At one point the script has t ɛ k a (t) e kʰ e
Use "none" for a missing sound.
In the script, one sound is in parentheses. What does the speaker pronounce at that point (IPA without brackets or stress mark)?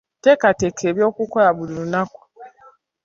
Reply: t